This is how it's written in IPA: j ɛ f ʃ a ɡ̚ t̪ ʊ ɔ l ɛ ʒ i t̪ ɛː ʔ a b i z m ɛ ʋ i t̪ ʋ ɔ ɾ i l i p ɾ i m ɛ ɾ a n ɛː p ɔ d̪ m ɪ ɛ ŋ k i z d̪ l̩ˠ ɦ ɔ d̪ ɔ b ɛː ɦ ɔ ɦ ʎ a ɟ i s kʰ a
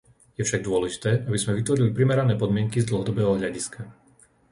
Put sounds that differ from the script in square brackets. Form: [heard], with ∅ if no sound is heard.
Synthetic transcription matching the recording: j ɛ f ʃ a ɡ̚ [d̪] ʊ ɔ l ɛ ʒ i t̪ ɛː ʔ a b i z m ɛ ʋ i t̪ ʋ ɔ ɾ i l i p ɾ i m ɛ ɾ a n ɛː p ɔ d̪ m ɪ ɛ ŋ k i z d̪ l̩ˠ ɦ ɔ d̪ ɔ b ɛː ɦ ɔ ɦ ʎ a ɟ i s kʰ a